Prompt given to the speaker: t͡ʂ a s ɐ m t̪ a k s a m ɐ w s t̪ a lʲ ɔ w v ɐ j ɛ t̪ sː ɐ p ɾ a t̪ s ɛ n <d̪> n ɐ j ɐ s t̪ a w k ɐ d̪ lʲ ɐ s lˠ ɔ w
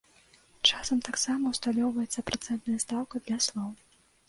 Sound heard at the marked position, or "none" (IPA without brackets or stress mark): t̪